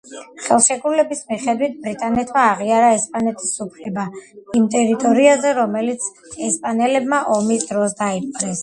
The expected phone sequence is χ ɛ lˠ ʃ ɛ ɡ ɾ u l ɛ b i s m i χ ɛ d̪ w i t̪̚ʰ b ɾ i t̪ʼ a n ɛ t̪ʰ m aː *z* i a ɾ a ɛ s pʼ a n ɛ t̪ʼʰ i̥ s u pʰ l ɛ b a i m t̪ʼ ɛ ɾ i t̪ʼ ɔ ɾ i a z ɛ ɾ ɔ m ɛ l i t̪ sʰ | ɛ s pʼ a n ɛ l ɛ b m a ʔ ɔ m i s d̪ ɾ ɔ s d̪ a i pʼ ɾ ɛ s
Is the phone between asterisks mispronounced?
yes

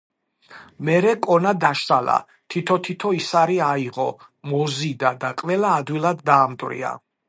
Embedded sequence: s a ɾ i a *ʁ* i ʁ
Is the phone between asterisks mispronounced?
yes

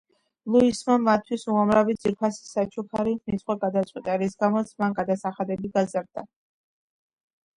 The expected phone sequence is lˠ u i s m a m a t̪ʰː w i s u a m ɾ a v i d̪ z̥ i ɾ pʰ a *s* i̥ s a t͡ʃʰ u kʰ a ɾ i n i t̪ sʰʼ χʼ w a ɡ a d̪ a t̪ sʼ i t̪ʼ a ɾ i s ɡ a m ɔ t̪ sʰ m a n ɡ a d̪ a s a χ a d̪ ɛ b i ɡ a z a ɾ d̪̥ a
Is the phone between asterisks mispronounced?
no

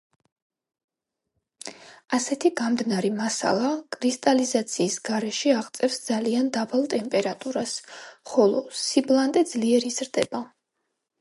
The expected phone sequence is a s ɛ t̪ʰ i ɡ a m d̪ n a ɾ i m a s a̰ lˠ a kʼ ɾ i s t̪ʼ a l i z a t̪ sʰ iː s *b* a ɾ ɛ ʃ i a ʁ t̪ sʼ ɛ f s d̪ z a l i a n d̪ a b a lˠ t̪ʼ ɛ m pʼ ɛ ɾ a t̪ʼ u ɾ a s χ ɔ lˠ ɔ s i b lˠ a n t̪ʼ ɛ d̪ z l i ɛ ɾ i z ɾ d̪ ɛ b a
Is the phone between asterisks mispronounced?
yes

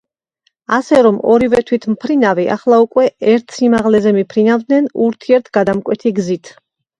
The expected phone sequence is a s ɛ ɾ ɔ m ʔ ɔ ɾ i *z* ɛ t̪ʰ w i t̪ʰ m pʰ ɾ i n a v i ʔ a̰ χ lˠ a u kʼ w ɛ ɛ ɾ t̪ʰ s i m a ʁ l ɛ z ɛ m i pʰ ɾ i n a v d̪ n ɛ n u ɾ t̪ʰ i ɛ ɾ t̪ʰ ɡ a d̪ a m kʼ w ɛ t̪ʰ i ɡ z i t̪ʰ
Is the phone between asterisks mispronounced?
yes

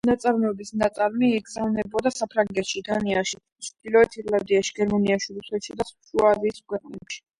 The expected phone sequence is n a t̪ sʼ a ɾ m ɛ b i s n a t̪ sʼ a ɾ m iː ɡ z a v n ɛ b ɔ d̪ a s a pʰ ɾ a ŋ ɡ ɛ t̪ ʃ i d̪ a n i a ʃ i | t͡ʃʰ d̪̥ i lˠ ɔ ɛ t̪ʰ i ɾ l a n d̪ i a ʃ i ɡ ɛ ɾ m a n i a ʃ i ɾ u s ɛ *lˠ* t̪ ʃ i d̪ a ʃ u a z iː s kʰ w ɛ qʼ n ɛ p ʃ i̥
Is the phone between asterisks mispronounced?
yes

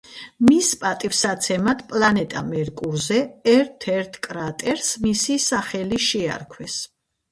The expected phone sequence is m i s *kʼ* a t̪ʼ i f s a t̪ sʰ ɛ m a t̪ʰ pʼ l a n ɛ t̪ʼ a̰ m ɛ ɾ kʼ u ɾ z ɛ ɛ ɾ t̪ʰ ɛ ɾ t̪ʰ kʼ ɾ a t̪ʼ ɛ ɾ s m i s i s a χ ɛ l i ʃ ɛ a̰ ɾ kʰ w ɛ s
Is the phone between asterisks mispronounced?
yes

